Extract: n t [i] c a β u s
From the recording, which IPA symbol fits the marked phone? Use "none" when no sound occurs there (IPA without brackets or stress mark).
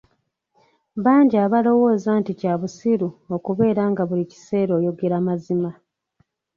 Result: i